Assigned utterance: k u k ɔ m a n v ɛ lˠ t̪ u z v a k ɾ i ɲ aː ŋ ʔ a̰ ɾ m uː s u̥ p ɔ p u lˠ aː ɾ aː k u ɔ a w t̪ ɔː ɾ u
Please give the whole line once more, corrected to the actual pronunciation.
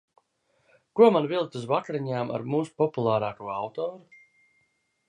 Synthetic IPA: k u ɔ m a n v i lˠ t̪ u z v a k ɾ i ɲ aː m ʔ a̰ ɾ m uː s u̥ p ɔ p u lˠ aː ɾ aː k u ɔ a w t̪ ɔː ɾ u